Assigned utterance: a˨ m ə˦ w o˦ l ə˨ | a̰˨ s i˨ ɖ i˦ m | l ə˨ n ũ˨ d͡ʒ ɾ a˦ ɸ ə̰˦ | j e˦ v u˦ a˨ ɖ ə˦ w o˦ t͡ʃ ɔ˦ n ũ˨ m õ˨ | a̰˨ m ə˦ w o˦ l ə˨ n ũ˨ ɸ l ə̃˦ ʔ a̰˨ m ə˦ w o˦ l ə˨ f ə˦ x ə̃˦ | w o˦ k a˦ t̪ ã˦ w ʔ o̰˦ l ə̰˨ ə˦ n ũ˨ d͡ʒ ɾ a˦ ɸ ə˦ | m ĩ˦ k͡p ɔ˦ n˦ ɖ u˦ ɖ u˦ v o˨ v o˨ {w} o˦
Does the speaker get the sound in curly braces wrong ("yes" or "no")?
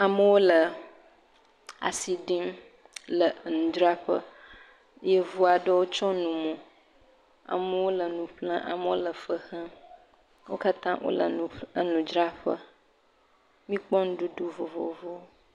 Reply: yes